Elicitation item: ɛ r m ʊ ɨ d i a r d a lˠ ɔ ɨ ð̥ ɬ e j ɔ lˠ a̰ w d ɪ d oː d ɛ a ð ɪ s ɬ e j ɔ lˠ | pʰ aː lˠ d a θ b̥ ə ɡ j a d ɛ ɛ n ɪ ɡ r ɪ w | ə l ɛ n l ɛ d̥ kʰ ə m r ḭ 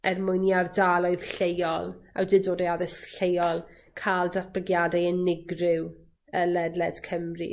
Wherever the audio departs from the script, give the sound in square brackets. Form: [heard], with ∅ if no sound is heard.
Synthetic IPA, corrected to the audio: ɛ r m ʊ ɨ [n] i a r d a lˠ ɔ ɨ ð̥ ɬ e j ɔ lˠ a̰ w d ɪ d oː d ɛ a ð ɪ s ɬ e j ɔ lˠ | [kʰ] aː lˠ d a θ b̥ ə ɡ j a d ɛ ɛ n ɪ ɡ r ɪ w | ə l ɛ [d] l ɛ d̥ kʰ ə m r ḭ

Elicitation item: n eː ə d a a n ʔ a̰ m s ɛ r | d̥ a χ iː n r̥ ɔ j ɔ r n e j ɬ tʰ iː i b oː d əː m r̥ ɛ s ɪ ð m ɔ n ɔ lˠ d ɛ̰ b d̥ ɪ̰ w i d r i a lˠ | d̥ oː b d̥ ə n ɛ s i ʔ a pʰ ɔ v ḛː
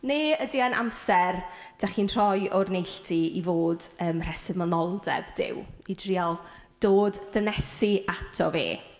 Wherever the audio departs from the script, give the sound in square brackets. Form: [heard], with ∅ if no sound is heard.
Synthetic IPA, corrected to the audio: n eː ə d [i] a n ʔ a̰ m s ɛ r | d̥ a χ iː n r̥ ɔ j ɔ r n e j ɬ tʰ [i] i [v] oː d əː m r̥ ɛ s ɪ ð m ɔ n ɔ lˠ d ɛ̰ b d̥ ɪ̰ w i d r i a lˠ | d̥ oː [d] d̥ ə n ɛ s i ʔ a [tʰ] ɔ v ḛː

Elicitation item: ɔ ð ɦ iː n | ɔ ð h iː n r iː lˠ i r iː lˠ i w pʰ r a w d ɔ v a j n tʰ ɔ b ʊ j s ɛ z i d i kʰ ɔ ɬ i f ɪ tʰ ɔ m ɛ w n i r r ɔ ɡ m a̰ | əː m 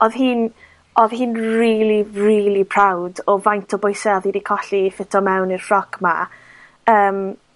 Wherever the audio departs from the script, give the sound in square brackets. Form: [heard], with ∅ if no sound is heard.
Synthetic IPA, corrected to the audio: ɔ ð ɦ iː n | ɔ ð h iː n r iː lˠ i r iː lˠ i [∅] pʰ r a w d ɔ v a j n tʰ ɔ b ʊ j s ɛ [ð] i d i kʰ ɔ ɬ i f ɪ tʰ ɔ m ɛ w n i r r ɔ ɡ m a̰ | əː m

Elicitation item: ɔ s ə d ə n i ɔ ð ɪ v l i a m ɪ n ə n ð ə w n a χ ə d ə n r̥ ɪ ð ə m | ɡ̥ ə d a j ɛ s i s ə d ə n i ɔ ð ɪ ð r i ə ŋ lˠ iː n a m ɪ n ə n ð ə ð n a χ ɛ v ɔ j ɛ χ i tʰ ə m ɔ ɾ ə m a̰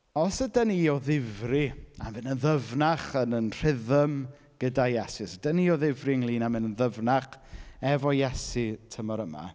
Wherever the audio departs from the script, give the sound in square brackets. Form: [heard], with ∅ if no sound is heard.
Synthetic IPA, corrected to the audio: ɔ s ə d ə n i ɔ ð ɪ v [r] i a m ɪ n ə n ð ə [v] n a χ ə [n] ə n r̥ ɪ ð ə m | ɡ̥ ə d a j ɛ s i s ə d ə n i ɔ ð ɪ [v] r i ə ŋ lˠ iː n a m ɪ n ə n ð ə [v] n a χ ɛ v ɔ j ɛ [s] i tʰ ə m ɔ ɾ ə m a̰

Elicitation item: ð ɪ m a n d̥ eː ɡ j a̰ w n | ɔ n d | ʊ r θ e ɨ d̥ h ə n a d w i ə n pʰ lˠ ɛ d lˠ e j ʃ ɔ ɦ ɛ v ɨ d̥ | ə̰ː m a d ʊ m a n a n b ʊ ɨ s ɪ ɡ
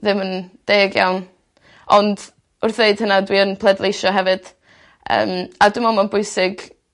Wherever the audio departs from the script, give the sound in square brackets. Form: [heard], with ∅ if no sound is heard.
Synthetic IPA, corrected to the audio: ð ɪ m [ə] n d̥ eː ɡ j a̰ w n | ɔ n d | ʊ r θ e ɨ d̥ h ə n a d w i ə n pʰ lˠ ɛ d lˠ e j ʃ ɔ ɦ ɛ v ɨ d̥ | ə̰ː m a d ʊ m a [m] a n b ʊ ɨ s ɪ ɡ

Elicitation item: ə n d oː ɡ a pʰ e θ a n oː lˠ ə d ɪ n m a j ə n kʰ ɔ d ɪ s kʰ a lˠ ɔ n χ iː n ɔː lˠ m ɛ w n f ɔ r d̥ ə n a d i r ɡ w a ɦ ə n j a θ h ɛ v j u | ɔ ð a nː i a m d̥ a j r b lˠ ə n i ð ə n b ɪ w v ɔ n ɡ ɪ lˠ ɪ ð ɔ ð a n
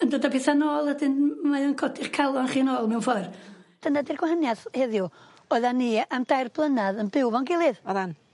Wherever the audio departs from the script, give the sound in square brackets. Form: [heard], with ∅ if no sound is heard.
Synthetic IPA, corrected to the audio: ə n d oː [d] a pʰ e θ a n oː lˠ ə d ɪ n m a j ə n kʰ ɔ d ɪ [χ] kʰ a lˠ ɔ n χ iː n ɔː lˠ m ɛ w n f ɔ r d̥ ə n a d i r ɡ w a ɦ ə n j a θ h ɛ [ð] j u | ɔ ð a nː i a m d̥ a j r b lˠ ə n [a] ð ə n b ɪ w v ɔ n ɡ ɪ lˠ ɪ ð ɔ ð a n

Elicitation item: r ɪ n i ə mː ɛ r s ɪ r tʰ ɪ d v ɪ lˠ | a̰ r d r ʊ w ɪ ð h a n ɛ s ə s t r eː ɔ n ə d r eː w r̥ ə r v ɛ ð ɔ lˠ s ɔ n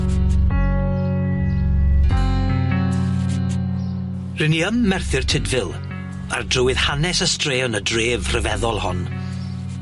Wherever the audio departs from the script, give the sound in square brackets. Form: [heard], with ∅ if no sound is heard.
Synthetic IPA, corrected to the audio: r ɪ n i ə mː ɛ r [θ] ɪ r tʰ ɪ d v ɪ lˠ | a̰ r d r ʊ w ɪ ð h a n ɛ s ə s t r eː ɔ n ə d r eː [v] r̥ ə [∅] v ɛ ð ɔ lˠ [h] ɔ n

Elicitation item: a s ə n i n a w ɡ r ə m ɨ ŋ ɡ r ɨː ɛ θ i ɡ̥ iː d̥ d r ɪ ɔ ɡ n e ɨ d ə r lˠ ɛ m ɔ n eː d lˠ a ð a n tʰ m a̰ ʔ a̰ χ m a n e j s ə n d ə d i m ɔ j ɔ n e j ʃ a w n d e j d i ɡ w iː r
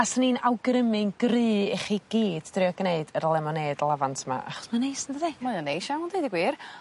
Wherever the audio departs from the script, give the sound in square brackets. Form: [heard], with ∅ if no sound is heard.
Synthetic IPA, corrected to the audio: a s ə n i n a w ɡ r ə m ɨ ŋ ɡ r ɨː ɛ [χ] i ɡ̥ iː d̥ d r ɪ ɔ ɡ n e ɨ d ə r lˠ ɛ m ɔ n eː d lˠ a [v] a n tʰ m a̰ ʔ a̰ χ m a n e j s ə n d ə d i m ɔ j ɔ n e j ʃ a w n d e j d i ɡ w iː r

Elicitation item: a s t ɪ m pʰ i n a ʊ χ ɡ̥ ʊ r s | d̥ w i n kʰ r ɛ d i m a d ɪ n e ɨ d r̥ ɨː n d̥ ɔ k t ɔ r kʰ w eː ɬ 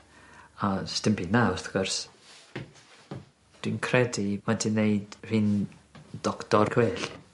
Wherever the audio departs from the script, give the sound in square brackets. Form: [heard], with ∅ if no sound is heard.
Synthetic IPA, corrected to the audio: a s t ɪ m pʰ i n a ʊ [θ] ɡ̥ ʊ r s | d̥ w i n kʰ r ɛ d i m a d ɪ n e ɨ d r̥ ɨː n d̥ ɔ k t ɔ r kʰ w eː ɬ

